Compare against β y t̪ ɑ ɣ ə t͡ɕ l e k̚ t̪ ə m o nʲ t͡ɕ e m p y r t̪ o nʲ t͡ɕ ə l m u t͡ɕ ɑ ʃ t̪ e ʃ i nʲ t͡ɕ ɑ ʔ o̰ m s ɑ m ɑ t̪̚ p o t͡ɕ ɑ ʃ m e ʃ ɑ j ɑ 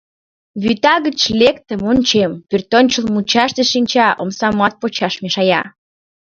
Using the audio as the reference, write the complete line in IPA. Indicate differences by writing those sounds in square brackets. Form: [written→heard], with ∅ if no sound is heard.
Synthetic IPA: β y t̪ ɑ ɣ ə t͡ɕ l e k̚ t̪ ə m o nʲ t͡ɕ e m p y r t̪ o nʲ t͡ɕ ə l m u t͡ɕ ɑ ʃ t̪ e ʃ i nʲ t͡ɕ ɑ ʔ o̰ m s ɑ m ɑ t̪̚ p o t͡ɕ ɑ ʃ m e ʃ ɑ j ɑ